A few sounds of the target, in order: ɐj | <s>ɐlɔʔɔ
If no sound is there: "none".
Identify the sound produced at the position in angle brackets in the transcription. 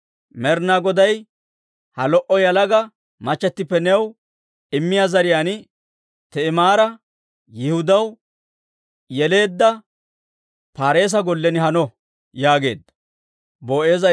h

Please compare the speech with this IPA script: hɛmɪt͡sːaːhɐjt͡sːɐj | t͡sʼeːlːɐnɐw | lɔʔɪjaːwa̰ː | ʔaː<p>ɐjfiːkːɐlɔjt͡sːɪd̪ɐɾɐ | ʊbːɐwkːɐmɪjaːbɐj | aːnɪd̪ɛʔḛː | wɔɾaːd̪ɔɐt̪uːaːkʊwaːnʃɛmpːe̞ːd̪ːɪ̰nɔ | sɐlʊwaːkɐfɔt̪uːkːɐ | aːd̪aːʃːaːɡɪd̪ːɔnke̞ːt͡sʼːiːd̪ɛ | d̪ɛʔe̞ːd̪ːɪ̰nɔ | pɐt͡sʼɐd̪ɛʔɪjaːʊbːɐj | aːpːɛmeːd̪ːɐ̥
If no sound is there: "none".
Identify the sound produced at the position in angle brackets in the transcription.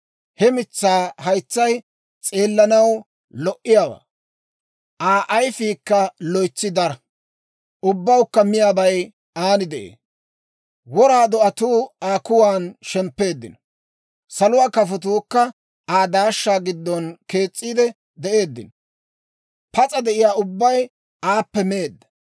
ʔ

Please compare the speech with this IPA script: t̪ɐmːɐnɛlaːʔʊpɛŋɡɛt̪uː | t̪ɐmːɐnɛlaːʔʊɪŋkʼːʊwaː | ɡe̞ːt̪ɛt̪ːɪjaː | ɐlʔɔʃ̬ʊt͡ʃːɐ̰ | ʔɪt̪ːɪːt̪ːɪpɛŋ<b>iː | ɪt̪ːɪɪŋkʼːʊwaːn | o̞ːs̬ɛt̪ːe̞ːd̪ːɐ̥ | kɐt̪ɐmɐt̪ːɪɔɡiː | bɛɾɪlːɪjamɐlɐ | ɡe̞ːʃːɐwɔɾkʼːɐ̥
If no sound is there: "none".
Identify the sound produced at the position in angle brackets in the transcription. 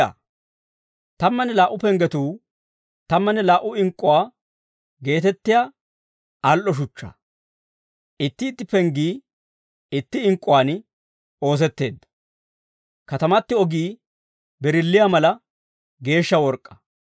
ɡ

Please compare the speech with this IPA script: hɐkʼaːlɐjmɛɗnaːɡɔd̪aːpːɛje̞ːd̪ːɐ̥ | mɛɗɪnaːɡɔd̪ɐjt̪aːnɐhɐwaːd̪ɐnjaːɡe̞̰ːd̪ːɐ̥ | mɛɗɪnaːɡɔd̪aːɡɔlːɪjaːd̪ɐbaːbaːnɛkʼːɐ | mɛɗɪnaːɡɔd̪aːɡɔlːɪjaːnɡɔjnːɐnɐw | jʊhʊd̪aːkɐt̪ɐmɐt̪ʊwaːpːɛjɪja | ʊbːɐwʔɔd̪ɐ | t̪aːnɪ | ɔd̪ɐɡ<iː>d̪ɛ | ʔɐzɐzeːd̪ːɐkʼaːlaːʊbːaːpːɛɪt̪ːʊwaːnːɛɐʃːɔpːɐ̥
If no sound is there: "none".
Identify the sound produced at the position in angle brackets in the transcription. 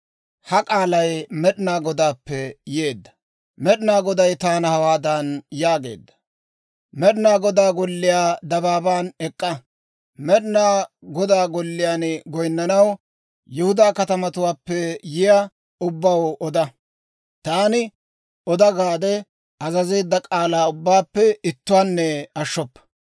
aː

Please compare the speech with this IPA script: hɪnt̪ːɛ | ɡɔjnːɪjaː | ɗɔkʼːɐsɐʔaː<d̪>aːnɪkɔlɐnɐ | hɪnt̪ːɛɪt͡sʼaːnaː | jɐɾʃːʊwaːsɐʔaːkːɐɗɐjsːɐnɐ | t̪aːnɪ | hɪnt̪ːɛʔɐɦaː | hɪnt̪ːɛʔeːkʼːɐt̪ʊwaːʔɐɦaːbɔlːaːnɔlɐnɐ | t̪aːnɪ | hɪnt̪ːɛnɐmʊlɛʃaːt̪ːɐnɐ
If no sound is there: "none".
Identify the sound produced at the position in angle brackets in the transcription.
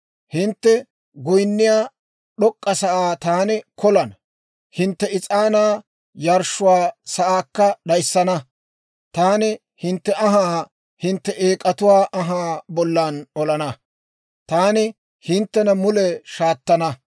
t̪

